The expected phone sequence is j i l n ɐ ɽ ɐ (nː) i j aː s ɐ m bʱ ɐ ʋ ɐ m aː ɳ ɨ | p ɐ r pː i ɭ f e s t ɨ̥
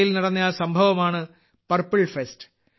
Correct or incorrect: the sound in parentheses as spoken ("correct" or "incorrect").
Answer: correct